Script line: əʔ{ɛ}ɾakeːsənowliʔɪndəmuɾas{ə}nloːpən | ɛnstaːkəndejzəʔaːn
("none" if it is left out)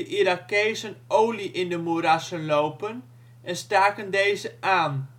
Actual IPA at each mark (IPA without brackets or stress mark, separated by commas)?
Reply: i, ə